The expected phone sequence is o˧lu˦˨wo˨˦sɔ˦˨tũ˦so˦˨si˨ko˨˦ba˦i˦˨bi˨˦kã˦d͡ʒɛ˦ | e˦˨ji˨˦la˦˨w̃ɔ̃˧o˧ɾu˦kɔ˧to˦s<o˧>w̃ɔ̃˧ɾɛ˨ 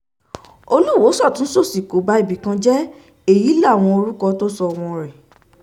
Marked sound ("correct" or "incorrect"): incorrect